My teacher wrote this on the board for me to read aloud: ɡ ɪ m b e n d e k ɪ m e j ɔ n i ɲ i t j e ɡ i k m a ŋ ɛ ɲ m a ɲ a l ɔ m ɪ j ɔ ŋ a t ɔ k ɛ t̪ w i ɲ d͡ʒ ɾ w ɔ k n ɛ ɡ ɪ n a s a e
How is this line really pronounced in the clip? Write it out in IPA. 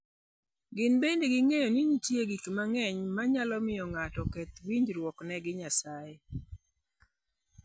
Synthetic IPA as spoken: ɡ ɪ n b e n d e ɡ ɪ ŋ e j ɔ n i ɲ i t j e ɡ i k m a ŋ ɛ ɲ m a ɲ a l ɔ m ɪ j ɔ ŋ a t ɔ k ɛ t̪ w i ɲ d͡ʒ ɾ w ɔ k n ɛ ɡ ɪ ɲ a s a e

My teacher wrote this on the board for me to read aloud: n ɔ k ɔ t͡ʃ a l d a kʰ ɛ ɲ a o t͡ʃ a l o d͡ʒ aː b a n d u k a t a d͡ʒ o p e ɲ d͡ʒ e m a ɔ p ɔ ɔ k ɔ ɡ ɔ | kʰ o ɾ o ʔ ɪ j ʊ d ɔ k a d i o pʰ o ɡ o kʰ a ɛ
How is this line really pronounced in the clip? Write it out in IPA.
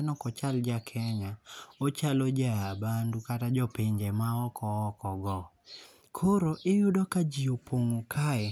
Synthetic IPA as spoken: n ɔ k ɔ t͡ʃ a l d͡ʒ a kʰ ɛ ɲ a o t͡ʃ a l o d͡ʒ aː b a n d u k a t a d͡ʒ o p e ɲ d͡ʒ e m a ɔ k ɔ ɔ k ɔ ɡ ɔ | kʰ o ɾ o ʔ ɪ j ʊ d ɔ k a d͡ʒ i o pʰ o ŋ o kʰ a ɛ

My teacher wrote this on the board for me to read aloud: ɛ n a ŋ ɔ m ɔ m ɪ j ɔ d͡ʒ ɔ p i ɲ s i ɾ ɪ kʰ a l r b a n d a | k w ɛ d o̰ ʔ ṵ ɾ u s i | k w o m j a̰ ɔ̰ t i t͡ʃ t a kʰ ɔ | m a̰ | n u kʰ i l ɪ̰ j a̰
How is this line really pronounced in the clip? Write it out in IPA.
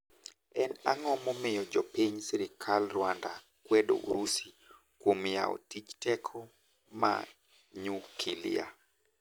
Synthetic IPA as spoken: ɛ n a ŋ ɔ m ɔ m ɪ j ɔ d͡ʒ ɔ p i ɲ s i ɾ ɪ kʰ a l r w a n d a | k w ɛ d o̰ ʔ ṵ ɾ u s i | k w o m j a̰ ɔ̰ t i t͡ʃ t ɛ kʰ ɔ | m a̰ | ɲ u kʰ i l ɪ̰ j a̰

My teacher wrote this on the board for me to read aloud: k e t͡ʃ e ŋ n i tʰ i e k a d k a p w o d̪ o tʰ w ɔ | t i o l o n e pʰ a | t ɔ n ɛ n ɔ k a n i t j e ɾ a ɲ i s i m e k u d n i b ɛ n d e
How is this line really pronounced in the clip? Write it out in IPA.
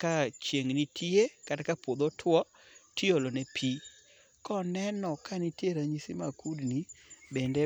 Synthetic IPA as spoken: k a t͡ʃ e ŋ n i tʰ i e k a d k a p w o d̪ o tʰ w ɔ | t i o l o n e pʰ i | k ɔ n ɛ n ɔ k a n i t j e ɾ a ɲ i s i m a k u d n i b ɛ n d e

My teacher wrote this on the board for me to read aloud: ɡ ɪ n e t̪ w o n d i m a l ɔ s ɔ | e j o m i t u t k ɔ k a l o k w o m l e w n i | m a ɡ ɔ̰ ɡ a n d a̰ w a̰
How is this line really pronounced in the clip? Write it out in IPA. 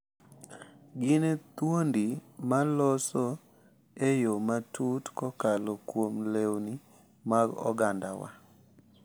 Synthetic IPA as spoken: ɡ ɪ n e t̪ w o n d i m a l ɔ s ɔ | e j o m a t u t k ɔ k a l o k w o m l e w n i | m a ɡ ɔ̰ ɡ a n d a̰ w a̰

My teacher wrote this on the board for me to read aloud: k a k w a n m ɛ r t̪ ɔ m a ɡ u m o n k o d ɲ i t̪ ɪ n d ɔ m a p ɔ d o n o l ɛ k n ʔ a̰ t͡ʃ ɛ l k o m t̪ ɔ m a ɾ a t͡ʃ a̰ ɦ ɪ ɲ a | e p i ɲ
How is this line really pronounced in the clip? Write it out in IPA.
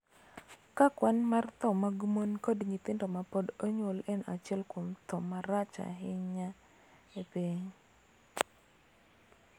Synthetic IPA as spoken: k a k w a n m a r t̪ ɔ m a ɡ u m o n k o d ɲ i t̪ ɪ n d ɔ m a p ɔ d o ɲ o l ɛ n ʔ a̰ t͡ʃ ɛ l k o m t̪ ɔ m a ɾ a t͡ʃ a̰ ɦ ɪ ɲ a | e p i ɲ

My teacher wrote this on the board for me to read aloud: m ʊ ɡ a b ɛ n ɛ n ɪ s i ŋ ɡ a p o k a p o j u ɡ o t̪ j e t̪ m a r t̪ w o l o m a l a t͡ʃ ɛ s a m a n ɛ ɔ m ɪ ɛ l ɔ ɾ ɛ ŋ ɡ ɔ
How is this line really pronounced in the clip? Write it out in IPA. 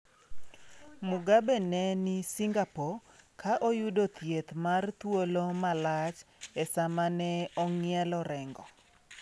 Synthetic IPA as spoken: m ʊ ɡ a b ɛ n ɛ n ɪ s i ŋ ɡ a p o k a ʔ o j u d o t̪ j e t̪ m a r t̪ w o l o m a l a t͡ʃ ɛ s a m a n ɛ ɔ ŋ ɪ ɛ l ɔ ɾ ɛ ŋ ɡ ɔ

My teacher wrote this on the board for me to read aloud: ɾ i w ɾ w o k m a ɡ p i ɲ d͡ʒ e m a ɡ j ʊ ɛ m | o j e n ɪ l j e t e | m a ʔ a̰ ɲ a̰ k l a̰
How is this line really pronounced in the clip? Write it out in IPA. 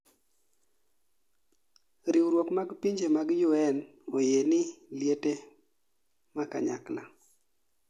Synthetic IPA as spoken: ɾ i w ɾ w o k m a ɡ p i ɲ d͡ʒ e m a ɡ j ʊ ɛ n | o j e n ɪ l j e t e | m a k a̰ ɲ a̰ k l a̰

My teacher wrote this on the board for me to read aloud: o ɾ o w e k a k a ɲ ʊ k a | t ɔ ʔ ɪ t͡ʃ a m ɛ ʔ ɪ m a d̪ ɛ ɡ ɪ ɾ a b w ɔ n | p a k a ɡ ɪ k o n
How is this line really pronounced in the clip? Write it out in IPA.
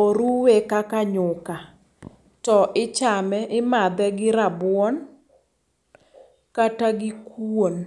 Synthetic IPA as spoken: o ɾ u w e k a k a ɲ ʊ k a | t ɔ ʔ ɪ t͡ʃ a m ɛ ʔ ɪ m a d̪ ɛ ɡ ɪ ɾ a b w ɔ n | k a t a ɡ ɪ k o n

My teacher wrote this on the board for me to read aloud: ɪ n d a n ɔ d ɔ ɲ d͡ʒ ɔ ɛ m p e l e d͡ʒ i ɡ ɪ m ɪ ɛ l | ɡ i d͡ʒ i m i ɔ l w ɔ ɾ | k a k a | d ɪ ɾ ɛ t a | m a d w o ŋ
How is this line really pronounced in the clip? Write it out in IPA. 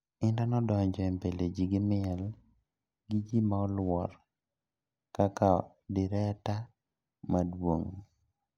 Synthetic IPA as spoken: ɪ n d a n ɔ d ɔ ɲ d͡ʒ ɔ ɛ m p e l e d͡ʒ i ɡ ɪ m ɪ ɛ l | ɡ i d͡ʒ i m a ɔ l w ɔ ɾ | k a k a | d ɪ ɾ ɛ t a | m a d w o ŋ

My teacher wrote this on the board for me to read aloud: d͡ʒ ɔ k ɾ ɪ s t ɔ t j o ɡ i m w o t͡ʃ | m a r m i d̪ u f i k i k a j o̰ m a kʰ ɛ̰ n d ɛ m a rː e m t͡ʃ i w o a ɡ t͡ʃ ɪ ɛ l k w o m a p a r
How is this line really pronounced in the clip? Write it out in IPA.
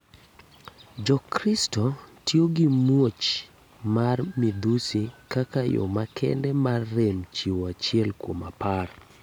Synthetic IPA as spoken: d͡ʒ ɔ k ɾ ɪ s t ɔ t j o ɡ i m w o t͡ʃ | m a r m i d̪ u s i k a k a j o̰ m a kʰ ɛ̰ n d ɛ m a rː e m t͡ʃ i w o a t͡ʃ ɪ ɛ l k w o m a p a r

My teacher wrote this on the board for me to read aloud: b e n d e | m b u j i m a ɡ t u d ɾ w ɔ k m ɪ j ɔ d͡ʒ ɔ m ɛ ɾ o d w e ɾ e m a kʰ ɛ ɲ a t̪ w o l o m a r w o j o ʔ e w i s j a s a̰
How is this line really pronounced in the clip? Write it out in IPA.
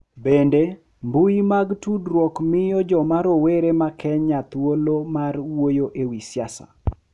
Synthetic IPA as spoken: b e n d e | m b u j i m a ɡ t u d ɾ w ɔ k m ɪ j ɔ d͡ʒ ɔ m a ɾ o w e ɾ e m a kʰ ɛ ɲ a t̪ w o l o m a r w o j o ʔ e w i s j a s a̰

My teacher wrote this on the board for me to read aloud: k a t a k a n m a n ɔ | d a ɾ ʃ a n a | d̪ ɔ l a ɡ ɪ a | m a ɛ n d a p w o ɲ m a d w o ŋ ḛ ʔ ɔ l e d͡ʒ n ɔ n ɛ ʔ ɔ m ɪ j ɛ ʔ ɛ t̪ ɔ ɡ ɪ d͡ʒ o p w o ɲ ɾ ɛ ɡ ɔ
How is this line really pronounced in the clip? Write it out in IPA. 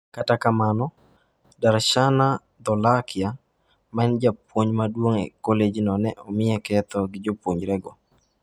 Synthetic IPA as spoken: k a t a k a m a n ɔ | d a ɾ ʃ a n a | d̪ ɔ l a k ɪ a | m a ɛ n d͡ʒ a p w o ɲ m a d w o ŋ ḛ k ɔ l e d͡ʒ n ɔ n ɛ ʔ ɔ m ɪ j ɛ k ɛ t̪ ɔ ɡ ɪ d͡ʒ o p w o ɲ ɾ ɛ ɡ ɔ

